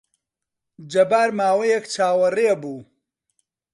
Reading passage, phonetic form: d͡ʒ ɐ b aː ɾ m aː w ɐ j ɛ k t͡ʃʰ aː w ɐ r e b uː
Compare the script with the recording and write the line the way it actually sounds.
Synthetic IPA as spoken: d͡ʒ ɐ b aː ɾ m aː w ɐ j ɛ k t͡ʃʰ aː w ɐ r e b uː

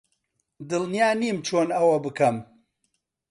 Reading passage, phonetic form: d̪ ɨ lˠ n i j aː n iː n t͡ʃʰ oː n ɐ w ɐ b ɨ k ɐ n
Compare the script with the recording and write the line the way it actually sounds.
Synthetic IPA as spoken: d̪ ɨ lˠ n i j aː n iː m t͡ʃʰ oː n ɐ w ɐ b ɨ k ɐ m

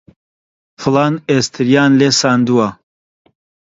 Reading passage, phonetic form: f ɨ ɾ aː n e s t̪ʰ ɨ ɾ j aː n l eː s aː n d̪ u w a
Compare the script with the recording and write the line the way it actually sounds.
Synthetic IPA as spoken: f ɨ l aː n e s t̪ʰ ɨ ɾ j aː n l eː s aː n d̪ u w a

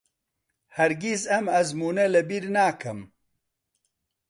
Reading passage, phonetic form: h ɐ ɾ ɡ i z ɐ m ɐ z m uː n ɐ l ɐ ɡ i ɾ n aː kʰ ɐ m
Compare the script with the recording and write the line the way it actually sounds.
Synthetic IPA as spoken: h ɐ ɾ ɡ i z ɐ m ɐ z m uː n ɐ l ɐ b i ɾ n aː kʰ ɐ m

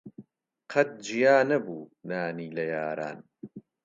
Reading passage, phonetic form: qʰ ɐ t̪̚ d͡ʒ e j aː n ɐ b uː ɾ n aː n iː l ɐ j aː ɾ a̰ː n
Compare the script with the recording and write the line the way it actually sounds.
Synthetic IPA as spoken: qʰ ɐ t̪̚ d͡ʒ i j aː n ɐ b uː n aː n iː l ɐ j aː ɾ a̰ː n

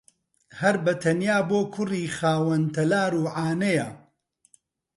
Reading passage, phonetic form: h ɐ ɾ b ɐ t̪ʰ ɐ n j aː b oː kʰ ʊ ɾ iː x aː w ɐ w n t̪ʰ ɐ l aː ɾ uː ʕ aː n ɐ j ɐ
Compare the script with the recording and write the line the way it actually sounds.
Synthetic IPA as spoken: h ɐ ɾ b ɐ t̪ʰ ɐ n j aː b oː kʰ ʊ r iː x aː w ɐ n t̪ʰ ɐ l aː ɾ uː ʕ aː n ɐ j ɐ

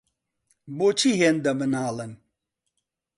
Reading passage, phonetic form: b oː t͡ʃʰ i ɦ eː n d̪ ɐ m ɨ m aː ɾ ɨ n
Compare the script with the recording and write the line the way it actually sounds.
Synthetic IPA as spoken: b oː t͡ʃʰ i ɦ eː n d̪ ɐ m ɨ n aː l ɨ n

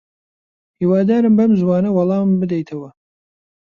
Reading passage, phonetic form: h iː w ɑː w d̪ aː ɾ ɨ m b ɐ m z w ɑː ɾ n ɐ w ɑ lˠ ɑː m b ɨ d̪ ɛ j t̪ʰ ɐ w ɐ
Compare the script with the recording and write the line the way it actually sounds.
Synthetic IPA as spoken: h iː w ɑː d̪ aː ɾ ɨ m b ɐ m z w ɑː n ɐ w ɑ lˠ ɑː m b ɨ d̪ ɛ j t̪ʰ ɐ w ɐ

